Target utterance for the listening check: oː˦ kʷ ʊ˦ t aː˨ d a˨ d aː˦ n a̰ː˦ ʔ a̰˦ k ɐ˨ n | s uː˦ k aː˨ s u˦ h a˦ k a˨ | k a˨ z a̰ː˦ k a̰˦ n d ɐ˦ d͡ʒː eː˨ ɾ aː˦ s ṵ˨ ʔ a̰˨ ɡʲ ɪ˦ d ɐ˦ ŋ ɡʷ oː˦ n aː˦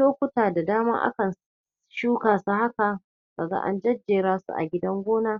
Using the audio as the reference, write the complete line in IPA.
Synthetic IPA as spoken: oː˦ kʷ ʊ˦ t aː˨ d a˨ d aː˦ m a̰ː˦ ʔ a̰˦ k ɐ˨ n | ʃ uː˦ k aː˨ s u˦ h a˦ k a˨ | k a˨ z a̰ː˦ ʔ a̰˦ n d͡ʒ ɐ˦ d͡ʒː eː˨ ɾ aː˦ s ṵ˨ ʔ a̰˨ ɡʲ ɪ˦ d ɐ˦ ŋ ɡʷ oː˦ n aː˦

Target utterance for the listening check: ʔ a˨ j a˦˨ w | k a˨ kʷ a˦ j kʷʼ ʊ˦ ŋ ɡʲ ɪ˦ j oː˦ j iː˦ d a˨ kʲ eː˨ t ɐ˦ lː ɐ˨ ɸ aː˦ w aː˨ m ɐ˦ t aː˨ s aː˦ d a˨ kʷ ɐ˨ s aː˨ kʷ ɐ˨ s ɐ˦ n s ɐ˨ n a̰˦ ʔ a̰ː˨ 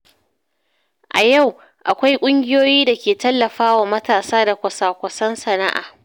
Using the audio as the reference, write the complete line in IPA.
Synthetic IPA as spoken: ʔ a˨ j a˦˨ w | ʔ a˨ kʷ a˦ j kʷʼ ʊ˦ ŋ ɡʲ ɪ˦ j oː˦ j iː˦ d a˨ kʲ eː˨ t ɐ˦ lː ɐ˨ ɸ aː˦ w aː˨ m ɐ˦ t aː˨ s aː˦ d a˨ kʷ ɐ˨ s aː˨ kʷ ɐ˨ s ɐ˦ n s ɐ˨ n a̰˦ ʔ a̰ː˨

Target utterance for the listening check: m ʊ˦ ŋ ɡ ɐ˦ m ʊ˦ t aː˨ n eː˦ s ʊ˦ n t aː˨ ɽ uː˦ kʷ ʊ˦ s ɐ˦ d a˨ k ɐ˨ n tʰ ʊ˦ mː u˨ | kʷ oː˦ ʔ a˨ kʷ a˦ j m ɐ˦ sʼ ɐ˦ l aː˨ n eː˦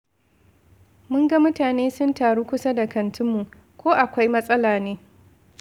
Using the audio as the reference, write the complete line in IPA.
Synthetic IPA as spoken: m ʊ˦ ŋ ɡ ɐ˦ m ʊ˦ t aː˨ n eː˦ s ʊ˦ n t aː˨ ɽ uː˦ kʷ ʊ˦ s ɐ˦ d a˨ k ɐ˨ n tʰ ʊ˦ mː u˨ | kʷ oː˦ ʔ a˨ kʷ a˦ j m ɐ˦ sʼ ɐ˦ l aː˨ n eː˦

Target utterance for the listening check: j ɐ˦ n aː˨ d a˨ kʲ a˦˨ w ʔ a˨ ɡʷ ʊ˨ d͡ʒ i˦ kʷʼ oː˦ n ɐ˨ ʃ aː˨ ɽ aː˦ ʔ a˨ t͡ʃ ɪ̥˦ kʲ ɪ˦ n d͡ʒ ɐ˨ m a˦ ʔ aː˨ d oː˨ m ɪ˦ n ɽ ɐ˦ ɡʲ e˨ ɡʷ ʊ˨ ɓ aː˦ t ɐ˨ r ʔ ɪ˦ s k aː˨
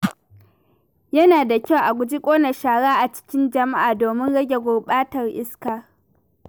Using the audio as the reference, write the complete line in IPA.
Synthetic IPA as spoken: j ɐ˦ n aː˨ d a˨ kʲ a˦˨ w ʔ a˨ ɡʷ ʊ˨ d͡ʒ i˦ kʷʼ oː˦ n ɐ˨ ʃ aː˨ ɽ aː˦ ʔ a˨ t͡ʃ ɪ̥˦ kʲ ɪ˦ n d͡ʒ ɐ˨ m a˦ ʔ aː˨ d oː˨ m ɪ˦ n ɽ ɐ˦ ɡʲ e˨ ɡʷ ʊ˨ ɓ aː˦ t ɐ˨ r ʔ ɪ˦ s k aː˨

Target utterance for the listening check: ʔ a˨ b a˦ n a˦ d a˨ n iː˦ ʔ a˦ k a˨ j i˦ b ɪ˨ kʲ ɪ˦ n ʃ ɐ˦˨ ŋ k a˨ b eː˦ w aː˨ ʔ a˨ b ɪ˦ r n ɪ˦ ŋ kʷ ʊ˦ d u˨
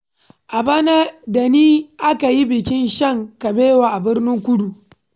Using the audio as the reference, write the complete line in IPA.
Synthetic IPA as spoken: ʔ a˨ b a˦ n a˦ d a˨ n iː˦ ʔ a˦ k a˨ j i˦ b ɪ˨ kʲ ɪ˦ n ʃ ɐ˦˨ ŋ k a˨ b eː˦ w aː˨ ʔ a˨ b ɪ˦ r n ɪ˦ ŋ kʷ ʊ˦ d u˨

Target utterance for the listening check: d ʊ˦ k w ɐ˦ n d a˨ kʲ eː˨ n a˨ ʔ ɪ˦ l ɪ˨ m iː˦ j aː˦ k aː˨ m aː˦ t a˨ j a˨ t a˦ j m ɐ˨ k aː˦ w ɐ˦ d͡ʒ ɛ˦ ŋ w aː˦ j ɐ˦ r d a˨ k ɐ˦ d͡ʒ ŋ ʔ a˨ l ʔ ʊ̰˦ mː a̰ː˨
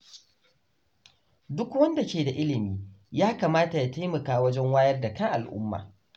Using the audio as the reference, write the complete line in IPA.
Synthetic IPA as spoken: d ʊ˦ k w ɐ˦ n d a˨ kʲ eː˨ d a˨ ʔ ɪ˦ l ɪ˨ m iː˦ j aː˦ k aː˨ m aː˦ t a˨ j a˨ t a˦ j m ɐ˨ k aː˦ w ɐ˦ d͡ʒ ɛ˦ ŋ w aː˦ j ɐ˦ r d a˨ k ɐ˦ ŋ ʔ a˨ l ʔ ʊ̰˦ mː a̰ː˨

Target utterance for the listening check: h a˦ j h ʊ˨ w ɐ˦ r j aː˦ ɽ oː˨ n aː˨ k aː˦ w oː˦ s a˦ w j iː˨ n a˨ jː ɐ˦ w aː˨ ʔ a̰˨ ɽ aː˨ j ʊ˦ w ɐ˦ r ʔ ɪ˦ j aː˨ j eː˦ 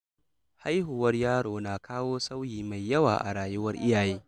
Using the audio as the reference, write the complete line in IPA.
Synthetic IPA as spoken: h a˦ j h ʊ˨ w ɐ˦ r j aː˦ ɽ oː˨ n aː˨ k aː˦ w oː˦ s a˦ w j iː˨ m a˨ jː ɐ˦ w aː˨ ʔ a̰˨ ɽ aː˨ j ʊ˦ w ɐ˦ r ʔ ɪ˦ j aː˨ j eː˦

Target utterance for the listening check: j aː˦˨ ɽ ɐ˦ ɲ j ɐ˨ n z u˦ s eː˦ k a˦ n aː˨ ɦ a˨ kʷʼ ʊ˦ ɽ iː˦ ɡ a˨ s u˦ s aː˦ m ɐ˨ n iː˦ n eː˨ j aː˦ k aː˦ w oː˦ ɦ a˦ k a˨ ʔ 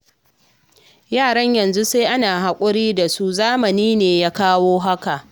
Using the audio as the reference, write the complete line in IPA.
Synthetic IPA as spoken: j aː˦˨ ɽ ɐ˦ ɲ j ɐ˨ n z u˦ s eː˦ ʔ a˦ n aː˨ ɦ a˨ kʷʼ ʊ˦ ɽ iː˦ d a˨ s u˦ z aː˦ m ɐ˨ n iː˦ n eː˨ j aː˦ k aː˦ w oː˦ ɦ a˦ k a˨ ʔ

